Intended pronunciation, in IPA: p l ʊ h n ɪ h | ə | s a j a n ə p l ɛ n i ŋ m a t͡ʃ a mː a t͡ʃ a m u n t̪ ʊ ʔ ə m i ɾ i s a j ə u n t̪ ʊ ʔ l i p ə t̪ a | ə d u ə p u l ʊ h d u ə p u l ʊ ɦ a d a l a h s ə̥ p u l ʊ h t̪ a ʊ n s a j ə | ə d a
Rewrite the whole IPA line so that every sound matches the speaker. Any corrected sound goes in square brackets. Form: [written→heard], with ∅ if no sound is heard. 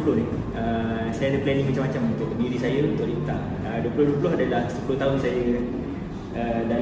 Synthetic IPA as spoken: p l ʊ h n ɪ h | ə | s a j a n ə p l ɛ n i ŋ m a t͡ʃ a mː a t͡ʃ a m u n t̪ ʊ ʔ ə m i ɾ i s a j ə u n t̪ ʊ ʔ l i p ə t̪ a | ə d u ə p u l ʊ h d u ə p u l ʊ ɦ a d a l a h s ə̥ p u l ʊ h t̪ a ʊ n s a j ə | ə d a